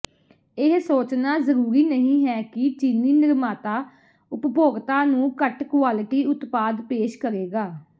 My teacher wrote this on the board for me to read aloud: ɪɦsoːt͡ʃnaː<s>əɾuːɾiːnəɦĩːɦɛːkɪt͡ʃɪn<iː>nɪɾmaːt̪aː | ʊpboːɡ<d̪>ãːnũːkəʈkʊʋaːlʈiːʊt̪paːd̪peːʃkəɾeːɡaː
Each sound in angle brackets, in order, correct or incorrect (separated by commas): incorrect, correct, incorrect